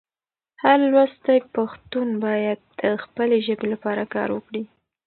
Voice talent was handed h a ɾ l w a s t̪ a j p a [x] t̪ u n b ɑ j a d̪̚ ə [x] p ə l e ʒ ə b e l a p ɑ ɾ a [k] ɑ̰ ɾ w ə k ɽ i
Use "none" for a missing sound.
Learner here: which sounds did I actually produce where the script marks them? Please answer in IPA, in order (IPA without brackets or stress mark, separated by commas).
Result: x, x, k